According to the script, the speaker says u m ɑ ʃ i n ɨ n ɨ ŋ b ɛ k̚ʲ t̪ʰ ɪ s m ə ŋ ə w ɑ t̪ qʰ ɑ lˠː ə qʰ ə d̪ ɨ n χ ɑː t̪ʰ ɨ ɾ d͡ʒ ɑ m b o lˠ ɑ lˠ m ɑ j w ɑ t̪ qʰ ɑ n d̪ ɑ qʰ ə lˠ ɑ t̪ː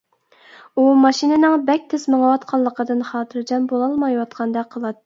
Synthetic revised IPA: u m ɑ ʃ i n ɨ n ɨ ŋ b ɛ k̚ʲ t̪ʰ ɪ s m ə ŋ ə w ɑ t̪ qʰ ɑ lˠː ə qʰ ə d̪ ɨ n χ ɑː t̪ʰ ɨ ɾ d͡ʒ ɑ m b o lˠ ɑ lˠ m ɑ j w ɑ t̪ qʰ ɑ n d̪ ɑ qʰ ə lˠ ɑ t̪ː